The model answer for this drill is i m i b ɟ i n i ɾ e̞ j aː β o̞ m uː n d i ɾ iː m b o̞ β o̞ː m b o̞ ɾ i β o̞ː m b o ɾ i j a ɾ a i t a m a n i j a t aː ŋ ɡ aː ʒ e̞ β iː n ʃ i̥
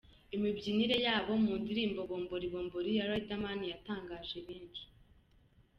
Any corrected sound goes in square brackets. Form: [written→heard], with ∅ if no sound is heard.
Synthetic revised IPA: i m i b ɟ i n i ɾ e̞ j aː β o̞ m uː n d i ɾ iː m b o̞ β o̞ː m b o̞ ɾ i β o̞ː m b o ɾ i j a ɾ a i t a m a n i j a t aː ŋ ɡ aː ʒ e̞ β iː n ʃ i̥